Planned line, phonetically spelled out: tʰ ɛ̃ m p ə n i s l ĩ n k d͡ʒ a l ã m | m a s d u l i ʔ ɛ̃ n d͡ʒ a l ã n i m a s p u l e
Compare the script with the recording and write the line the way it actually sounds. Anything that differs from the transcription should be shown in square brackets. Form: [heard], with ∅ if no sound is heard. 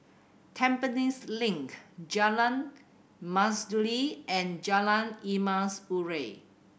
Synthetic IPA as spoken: tʰ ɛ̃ m p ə n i s l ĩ [ŋ] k d͡ʒ a l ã [n] | m a s d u l i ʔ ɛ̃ n d͡ʒ a l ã n i m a s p u [ɹ] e